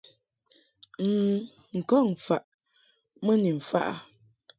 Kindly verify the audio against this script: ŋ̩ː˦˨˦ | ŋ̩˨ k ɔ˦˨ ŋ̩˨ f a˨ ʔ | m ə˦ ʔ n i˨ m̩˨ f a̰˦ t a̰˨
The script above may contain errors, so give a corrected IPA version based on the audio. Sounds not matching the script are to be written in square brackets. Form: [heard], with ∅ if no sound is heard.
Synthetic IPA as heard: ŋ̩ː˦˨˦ | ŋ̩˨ k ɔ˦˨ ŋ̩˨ f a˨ ʔ | m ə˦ [∅] n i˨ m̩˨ f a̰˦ [ʔ] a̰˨